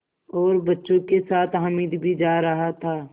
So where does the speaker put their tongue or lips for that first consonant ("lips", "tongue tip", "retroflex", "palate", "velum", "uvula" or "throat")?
tongue tip